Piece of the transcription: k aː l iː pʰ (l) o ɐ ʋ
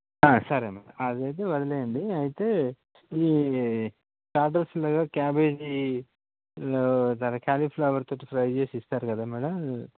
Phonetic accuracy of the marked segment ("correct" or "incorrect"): correct